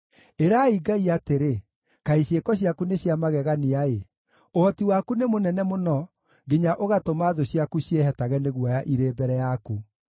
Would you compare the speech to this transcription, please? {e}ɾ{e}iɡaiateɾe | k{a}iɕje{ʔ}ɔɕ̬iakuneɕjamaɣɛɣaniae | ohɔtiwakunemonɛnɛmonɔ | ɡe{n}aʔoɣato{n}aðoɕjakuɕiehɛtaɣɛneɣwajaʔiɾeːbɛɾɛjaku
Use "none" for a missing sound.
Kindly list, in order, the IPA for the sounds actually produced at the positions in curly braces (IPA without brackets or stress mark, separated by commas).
e, a, a, k, ɲ, m